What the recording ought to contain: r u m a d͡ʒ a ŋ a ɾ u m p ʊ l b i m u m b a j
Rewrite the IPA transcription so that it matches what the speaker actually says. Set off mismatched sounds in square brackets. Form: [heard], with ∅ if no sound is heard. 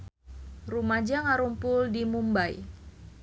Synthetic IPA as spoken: r u m a d͡ʒ a ŋ a ɾ u m p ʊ l [d] i m u m b a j